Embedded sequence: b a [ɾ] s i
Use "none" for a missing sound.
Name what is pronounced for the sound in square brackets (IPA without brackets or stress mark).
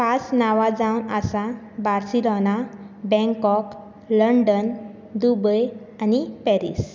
ɾ